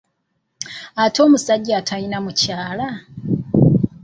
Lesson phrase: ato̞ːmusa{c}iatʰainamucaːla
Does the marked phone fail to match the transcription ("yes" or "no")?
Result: yes